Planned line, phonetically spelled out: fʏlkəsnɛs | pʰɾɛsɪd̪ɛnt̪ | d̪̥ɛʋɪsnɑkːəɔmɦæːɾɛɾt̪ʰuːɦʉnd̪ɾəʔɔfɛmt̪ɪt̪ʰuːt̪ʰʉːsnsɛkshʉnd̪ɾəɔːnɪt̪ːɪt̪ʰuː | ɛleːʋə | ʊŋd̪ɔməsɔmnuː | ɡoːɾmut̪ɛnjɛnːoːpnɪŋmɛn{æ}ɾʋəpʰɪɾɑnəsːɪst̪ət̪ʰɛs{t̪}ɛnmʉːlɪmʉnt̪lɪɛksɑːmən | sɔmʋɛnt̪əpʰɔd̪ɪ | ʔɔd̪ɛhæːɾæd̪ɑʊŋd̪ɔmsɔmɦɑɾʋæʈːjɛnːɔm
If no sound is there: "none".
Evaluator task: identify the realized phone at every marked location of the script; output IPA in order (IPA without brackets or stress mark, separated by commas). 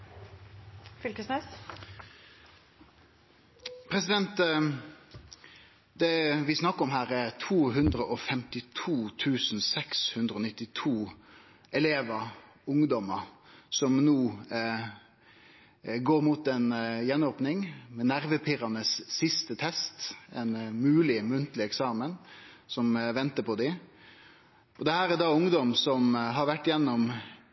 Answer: æ, t̪